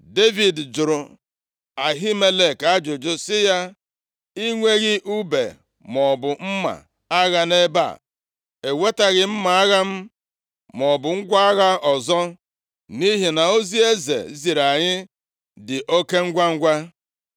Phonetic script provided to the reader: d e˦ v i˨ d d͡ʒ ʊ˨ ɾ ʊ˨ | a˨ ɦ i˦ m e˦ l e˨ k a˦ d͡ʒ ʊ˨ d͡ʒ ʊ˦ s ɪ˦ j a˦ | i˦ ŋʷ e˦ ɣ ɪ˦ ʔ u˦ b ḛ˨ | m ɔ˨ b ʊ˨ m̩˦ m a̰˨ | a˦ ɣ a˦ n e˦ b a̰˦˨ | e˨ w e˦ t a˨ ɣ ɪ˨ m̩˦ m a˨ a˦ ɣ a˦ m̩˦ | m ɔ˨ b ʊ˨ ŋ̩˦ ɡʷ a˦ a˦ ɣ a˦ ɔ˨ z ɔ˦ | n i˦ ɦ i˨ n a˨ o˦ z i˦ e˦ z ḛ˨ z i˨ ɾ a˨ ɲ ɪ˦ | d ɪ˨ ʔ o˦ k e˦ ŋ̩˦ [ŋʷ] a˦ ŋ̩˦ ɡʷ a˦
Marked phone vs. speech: incorrect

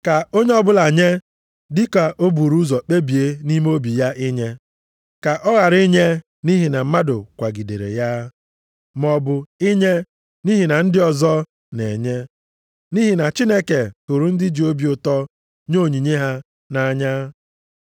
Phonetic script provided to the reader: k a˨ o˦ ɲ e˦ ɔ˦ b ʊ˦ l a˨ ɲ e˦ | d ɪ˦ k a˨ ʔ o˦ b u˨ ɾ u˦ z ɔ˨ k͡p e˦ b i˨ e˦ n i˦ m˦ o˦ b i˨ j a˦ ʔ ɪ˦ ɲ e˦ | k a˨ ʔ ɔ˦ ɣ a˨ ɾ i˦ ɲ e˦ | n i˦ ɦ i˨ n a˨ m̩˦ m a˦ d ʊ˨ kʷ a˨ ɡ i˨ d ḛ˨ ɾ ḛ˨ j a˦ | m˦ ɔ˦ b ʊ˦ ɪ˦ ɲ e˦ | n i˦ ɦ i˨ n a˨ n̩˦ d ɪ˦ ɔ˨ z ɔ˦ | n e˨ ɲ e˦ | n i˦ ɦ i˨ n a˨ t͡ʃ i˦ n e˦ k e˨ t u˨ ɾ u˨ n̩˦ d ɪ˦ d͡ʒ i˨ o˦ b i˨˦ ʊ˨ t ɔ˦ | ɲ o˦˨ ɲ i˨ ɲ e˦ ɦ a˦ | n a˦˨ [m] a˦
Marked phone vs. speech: incorrect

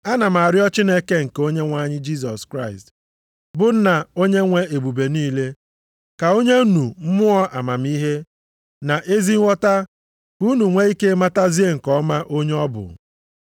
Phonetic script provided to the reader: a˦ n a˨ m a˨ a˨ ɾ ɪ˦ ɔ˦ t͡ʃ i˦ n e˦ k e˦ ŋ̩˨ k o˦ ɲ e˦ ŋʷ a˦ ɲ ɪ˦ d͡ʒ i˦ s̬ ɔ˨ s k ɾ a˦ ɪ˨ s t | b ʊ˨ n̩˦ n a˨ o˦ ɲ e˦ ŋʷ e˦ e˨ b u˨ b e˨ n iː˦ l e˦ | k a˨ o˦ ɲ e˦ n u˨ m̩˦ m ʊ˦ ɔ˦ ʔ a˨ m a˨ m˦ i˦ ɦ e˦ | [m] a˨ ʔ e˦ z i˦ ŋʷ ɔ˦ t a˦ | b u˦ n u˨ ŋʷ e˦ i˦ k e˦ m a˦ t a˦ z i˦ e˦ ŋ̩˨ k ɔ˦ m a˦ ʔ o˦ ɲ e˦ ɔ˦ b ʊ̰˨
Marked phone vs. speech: incorrect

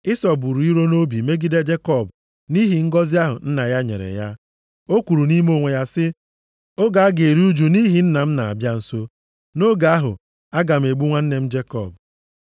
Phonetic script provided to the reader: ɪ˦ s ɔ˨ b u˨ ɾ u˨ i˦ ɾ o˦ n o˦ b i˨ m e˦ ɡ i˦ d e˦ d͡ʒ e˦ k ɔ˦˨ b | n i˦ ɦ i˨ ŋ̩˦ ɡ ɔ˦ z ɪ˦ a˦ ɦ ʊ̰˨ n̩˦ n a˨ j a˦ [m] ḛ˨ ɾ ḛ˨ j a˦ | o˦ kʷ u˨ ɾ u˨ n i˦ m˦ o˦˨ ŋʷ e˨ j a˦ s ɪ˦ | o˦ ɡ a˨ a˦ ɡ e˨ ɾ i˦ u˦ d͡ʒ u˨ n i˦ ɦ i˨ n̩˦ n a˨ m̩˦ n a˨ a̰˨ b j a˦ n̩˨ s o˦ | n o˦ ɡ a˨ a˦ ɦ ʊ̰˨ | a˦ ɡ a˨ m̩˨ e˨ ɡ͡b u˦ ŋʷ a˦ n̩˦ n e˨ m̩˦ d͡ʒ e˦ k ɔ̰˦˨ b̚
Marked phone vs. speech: incorrect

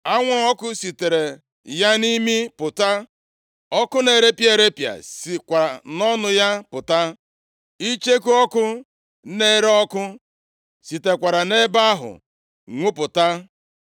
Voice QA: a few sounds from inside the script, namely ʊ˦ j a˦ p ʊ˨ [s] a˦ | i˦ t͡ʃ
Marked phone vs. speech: incorrect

